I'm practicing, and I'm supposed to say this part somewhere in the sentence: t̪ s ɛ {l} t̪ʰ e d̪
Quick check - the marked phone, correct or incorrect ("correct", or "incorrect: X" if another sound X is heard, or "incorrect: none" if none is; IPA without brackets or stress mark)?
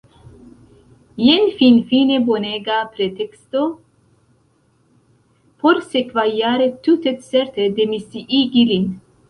incorrect: ɾ